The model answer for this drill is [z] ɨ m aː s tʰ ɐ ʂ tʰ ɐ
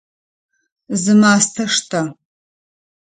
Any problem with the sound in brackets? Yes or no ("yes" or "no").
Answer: no